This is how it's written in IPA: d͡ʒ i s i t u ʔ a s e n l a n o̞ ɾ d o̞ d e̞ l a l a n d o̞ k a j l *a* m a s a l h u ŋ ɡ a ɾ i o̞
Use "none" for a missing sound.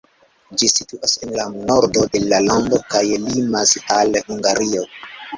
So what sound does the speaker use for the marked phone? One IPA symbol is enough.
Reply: i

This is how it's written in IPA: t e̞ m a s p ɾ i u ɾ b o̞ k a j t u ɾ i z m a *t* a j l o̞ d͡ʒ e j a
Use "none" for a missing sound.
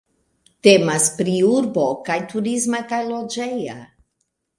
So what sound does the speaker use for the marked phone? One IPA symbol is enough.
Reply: k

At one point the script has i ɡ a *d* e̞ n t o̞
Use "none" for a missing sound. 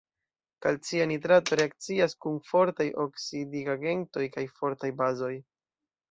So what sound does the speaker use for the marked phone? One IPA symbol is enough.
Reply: ɡ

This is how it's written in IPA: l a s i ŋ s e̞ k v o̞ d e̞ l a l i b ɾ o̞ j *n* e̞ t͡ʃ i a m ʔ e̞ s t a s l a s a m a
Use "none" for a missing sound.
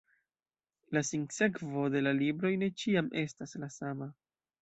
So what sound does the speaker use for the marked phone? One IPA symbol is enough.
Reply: n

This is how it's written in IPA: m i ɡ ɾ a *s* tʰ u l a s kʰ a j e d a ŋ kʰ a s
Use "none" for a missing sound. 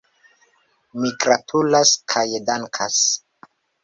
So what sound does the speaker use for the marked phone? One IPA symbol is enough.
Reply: none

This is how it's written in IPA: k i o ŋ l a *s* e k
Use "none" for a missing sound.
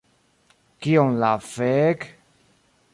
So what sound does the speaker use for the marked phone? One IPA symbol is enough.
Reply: f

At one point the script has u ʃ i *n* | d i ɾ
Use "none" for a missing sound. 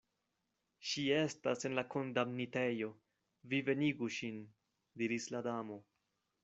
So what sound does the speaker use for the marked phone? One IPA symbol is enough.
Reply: n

